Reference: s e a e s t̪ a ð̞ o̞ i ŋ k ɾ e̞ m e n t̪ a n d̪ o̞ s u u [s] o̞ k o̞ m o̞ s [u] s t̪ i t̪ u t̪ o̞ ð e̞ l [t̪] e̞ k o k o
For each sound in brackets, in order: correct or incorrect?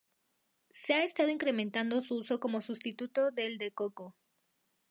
correct, correct, incorrect

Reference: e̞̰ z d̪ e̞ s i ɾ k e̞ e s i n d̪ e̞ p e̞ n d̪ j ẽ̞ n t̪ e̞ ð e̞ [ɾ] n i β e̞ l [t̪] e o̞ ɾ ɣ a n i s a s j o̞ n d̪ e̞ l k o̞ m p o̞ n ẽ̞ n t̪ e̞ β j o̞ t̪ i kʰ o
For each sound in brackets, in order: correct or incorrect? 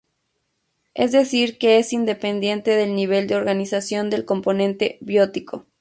incorrect, incorrect

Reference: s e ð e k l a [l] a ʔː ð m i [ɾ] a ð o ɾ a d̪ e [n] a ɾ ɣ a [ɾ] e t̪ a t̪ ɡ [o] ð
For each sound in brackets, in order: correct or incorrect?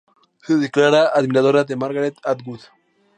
incorrect, correct, incorrect, correct, incorrect

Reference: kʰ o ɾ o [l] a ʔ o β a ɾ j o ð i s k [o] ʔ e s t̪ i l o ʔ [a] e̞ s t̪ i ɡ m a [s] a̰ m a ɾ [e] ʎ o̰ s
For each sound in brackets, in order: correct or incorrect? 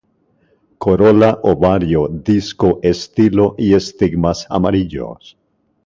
correct, correct, incorrect, correct, incorrect

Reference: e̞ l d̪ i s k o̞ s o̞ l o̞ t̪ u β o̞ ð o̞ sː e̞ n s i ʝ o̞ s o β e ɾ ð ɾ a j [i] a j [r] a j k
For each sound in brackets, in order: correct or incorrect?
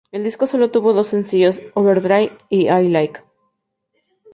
correct, incorrect

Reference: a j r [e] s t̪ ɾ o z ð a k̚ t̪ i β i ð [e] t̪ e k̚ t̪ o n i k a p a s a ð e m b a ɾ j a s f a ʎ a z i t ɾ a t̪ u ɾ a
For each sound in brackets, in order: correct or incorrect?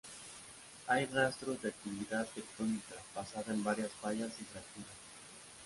incorrect, incorrect

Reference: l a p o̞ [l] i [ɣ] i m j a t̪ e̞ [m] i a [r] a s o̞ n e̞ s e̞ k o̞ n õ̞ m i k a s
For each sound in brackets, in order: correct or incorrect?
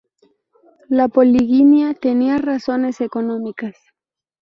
correct, correct, incorrect, correct

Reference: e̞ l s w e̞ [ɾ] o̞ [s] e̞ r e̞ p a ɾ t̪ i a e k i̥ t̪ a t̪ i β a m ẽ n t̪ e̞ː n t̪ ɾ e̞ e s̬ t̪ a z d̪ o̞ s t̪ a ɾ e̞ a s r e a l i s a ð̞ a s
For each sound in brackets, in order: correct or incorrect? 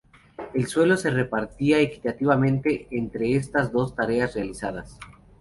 incorrect, correct

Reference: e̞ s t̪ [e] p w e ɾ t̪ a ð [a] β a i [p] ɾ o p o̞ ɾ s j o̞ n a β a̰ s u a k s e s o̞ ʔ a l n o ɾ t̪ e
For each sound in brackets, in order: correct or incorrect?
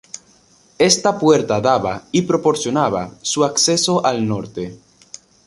incorrect, correct, correct

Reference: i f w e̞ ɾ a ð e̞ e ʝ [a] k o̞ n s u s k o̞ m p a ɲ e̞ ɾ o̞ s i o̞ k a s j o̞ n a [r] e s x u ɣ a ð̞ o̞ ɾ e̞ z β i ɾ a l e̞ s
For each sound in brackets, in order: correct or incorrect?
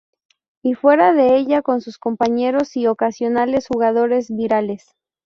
correct, incorrect

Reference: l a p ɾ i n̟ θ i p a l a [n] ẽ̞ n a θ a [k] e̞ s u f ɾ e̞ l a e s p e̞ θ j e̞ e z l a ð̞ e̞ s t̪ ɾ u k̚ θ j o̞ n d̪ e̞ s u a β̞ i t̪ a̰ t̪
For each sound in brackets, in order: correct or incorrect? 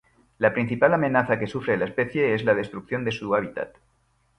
incorrect, correct

